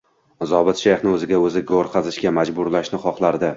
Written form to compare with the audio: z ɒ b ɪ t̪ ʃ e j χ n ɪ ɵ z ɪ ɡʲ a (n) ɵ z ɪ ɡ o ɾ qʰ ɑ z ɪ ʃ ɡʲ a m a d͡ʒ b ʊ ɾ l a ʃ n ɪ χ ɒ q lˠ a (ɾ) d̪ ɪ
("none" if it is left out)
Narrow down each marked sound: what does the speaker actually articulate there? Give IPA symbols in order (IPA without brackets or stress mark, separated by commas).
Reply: none, ɾ